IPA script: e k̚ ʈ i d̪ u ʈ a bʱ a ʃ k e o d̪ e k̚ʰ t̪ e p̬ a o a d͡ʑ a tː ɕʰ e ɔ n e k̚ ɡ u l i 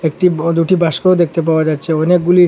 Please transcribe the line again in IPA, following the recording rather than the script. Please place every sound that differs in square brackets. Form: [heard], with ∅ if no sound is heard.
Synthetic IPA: e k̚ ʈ i d̪ u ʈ [i] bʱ a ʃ k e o d̪ e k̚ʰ t̪ e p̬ a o a d͡ʑ a tː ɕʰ e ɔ n e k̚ ɡ u l i